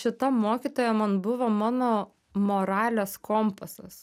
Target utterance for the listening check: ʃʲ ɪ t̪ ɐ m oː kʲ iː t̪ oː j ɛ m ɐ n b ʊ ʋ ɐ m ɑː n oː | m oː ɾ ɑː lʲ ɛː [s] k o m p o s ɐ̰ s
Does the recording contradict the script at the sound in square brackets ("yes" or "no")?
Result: no